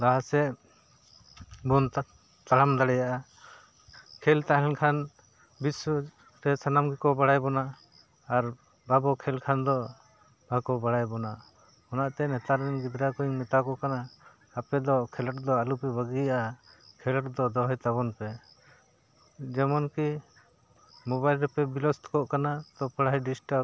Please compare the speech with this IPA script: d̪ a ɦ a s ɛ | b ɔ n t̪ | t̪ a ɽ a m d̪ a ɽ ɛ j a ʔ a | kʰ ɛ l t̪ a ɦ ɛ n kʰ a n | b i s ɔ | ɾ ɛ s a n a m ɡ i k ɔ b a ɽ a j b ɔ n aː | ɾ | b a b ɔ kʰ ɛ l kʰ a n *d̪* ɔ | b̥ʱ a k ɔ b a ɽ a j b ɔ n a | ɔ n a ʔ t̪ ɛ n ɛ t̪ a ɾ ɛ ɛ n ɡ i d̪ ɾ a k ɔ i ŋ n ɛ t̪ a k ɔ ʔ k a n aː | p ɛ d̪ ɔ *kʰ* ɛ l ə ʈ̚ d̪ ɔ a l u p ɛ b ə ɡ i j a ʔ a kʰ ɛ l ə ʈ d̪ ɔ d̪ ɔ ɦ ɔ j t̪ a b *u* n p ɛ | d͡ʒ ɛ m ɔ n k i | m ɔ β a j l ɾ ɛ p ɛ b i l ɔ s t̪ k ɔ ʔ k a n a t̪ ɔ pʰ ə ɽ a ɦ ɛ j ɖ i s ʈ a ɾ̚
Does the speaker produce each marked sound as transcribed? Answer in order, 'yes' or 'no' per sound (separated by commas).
yes, yes, no